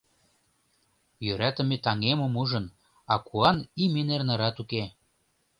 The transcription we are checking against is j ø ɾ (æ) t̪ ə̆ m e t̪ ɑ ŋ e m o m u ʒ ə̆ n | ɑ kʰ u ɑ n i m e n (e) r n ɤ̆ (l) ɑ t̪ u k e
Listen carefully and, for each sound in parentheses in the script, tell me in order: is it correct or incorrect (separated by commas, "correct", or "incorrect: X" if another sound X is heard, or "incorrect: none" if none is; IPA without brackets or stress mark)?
correct, correct, incorrect: ɾ